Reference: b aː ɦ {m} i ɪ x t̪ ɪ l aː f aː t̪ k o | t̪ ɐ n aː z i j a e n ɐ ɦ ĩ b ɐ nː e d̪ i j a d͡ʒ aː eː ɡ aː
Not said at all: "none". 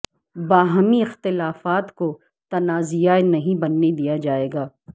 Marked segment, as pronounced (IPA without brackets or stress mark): m